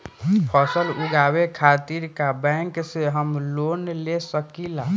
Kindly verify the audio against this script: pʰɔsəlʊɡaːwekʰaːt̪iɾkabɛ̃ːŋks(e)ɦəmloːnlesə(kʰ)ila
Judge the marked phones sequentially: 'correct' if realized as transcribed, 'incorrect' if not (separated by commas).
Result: correct, incorrect